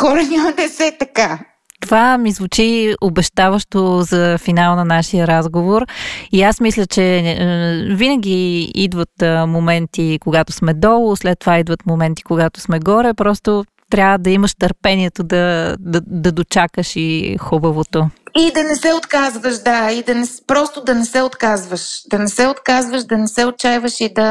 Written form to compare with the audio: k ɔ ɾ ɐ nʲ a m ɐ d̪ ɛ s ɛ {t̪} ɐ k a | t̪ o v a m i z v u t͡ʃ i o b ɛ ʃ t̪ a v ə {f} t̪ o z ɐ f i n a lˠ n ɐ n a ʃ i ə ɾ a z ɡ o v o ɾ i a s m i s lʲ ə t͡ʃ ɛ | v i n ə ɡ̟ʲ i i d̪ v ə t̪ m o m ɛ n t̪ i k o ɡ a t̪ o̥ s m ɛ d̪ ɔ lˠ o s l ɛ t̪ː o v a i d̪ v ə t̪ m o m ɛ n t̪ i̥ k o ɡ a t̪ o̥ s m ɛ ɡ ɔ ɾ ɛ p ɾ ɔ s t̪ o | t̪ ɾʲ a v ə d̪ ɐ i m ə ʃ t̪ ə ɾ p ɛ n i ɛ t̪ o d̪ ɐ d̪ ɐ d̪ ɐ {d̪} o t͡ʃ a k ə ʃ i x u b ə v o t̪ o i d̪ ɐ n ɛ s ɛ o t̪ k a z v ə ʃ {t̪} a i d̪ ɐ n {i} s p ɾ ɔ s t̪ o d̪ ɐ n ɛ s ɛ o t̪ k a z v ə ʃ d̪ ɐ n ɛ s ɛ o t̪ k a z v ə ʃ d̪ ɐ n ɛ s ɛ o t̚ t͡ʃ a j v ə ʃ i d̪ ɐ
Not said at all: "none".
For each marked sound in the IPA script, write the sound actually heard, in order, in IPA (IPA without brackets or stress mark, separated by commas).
t̪, ʃ, d̪, d̪, ɛ